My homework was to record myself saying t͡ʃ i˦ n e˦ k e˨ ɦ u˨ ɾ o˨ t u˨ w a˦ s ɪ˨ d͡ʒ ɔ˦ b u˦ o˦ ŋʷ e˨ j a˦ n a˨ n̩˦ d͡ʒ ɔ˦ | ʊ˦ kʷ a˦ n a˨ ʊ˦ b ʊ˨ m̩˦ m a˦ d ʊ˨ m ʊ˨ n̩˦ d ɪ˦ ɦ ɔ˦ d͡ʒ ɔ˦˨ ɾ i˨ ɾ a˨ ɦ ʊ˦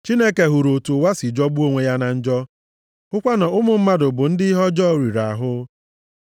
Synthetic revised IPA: t͡ʃ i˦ n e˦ k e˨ ɦ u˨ ɾ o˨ t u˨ w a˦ s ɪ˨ d͡ʒ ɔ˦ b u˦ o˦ ŋʷ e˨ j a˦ n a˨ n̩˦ d͡ʒ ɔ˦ | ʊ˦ kʷ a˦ n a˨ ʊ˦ m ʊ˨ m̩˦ m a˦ d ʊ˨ b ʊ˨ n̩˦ d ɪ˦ ɦ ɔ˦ d͡ʒ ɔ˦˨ ɾ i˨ ɾ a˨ ɦ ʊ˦